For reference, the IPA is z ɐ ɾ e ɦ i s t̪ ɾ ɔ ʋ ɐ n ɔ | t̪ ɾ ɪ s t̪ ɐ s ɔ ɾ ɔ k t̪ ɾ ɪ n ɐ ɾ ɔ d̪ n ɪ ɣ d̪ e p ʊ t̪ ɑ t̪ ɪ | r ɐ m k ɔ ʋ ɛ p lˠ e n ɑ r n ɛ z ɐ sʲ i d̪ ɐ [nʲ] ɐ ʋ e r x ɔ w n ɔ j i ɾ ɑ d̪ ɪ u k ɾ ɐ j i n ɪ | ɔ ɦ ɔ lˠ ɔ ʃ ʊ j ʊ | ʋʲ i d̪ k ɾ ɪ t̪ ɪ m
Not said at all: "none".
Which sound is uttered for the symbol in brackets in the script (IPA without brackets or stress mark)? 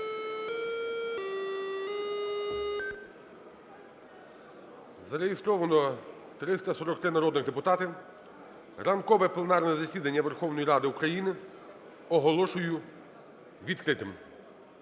nʲː